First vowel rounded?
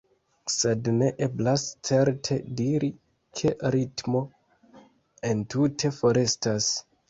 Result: no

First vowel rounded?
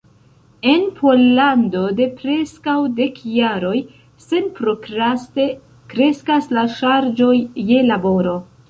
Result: no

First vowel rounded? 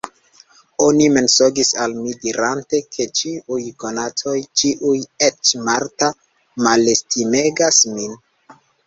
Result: yes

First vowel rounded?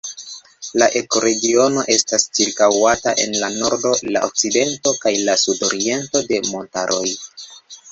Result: no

